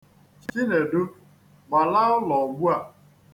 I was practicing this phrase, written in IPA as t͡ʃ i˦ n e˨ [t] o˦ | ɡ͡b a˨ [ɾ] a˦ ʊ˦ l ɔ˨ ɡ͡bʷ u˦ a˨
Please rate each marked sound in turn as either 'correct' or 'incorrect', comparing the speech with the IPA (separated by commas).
incorrect, incorrect